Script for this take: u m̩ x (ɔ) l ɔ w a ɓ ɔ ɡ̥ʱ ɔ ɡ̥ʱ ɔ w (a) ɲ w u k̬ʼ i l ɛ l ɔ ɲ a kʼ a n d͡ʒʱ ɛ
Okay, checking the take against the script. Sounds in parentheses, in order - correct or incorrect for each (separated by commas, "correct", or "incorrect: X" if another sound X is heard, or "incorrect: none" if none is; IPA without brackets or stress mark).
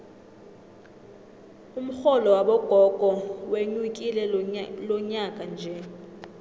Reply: correct, incorrect: e